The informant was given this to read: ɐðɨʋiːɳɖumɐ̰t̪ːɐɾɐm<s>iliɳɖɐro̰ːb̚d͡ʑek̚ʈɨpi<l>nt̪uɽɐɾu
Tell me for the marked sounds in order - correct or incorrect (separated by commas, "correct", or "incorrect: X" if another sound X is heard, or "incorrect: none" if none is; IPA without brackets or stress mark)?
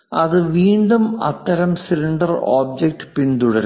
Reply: correct, incorrect: none